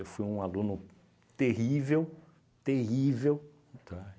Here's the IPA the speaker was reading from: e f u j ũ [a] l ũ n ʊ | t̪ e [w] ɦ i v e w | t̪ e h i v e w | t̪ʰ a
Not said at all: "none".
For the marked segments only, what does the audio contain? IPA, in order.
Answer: a, none

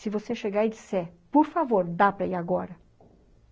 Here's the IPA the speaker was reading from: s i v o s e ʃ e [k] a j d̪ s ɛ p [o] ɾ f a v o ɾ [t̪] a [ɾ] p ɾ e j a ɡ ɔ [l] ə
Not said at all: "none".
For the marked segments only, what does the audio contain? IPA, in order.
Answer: ɡ, u, d̪, none, ɾ

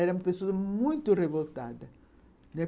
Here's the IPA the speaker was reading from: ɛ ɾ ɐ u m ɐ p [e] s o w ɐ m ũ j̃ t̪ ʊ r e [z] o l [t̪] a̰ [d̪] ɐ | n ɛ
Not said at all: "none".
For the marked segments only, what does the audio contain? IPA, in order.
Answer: e, v, t̪, d̪

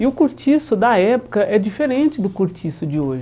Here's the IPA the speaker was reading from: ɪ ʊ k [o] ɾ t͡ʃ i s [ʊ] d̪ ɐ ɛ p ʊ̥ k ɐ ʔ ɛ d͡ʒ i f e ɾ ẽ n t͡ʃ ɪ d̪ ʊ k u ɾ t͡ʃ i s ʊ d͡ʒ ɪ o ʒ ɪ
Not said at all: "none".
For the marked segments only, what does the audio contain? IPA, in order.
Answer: u, ʊ

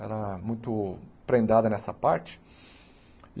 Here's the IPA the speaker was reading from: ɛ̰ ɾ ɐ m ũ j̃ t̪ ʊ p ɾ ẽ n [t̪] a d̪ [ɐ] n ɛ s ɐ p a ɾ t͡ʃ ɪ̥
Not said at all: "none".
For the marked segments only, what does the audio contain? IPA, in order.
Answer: d̪, ɐ

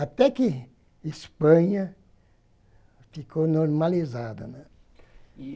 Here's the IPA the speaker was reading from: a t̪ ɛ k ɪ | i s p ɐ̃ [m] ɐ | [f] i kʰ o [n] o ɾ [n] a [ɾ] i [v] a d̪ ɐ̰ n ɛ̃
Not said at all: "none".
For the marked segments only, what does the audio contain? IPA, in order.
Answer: ɲ, f, n, m, l, z

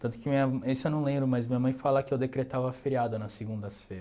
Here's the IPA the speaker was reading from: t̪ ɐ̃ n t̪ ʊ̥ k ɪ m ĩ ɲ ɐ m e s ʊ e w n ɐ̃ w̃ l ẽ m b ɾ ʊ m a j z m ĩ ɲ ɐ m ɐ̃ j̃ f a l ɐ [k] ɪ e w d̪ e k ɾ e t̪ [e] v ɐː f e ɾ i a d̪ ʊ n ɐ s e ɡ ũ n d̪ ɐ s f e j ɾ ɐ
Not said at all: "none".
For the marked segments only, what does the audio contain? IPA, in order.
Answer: k, a

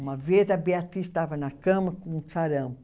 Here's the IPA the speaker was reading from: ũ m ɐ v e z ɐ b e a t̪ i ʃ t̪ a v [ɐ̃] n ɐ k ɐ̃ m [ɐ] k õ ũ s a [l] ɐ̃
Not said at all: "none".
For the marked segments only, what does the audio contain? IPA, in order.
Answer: ɐ, ɐ, ɾ

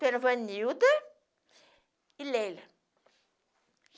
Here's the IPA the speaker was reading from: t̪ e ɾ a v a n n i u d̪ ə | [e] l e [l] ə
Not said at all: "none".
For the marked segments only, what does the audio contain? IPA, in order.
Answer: i, l

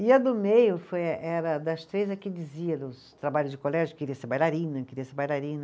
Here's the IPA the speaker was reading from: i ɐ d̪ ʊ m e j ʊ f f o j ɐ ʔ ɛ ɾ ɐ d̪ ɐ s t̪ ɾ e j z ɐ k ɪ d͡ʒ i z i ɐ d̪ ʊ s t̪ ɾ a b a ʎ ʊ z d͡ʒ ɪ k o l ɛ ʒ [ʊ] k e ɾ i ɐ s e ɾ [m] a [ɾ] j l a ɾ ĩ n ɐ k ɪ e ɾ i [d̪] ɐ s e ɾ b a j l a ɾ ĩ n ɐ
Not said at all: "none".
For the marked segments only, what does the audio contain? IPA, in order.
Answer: ʊ, b, none, none

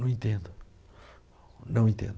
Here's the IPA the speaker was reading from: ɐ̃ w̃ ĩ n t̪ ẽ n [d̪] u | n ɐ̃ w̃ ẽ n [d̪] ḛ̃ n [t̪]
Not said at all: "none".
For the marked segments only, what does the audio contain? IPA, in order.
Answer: d̪, t̪, d̪

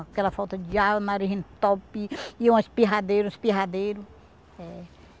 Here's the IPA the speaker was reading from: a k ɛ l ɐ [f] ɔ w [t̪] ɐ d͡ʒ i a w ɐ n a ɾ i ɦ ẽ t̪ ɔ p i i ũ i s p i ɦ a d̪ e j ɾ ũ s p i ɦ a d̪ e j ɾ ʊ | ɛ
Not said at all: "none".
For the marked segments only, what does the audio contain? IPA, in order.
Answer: f, t̪

